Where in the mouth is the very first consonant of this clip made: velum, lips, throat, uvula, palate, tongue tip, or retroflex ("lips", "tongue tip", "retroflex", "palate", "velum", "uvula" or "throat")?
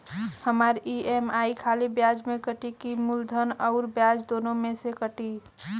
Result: throat